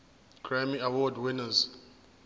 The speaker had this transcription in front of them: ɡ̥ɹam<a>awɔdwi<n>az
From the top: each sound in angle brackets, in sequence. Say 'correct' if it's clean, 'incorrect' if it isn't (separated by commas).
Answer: incorrect, correct